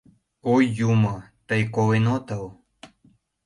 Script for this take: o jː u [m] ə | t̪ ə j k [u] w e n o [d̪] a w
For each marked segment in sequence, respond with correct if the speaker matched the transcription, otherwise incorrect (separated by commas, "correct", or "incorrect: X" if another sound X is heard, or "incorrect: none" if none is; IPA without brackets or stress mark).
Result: correct, incorrect: o, incorrect: t̪